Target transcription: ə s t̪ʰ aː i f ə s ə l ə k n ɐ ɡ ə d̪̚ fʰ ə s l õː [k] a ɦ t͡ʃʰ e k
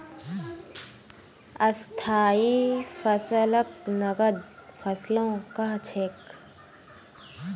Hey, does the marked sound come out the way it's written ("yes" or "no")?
yes